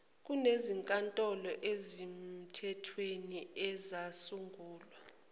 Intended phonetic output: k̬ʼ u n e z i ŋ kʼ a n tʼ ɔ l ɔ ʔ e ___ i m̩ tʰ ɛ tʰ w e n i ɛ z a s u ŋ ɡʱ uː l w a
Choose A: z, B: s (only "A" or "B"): A